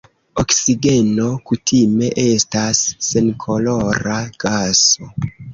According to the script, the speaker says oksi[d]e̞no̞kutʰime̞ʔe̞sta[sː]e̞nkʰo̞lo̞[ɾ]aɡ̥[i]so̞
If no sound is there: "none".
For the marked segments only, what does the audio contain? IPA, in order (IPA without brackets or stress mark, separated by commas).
ɡ, sː, ɾ, a